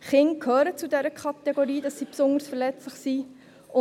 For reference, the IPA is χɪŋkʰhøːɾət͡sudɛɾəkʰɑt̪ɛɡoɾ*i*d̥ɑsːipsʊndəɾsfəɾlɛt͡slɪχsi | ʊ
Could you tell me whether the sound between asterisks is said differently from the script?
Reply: yes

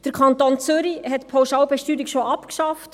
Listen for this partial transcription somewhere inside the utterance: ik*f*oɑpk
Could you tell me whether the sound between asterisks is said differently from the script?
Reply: yes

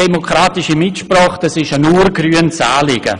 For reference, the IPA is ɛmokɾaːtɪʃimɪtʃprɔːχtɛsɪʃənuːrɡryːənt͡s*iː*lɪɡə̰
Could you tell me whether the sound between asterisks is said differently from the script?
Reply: yes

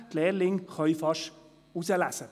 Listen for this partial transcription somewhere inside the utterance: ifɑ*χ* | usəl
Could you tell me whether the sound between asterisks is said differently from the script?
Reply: yes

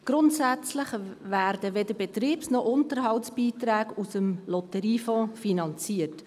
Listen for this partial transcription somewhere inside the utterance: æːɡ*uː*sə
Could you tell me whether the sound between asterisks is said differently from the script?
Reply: yes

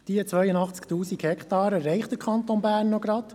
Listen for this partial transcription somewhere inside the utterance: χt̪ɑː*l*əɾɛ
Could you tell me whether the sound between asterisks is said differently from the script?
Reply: yes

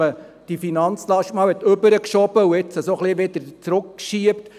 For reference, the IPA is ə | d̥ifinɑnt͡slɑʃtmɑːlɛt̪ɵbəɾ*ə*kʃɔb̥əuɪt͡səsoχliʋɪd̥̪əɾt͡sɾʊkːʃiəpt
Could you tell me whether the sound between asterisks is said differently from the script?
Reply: no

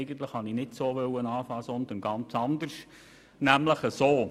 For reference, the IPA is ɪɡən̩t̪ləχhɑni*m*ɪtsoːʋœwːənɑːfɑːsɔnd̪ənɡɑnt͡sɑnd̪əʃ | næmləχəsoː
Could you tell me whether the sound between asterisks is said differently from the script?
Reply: yes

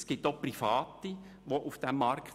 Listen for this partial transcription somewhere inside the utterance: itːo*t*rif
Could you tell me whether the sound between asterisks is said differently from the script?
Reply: yes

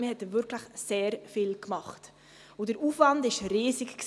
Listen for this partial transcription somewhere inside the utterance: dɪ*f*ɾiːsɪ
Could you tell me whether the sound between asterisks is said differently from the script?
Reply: yes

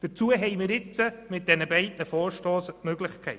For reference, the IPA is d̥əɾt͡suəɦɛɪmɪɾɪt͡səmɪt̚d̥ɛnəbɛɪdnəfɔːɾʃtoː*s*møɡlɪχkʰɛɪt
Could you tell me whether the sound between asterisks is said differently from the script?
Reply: no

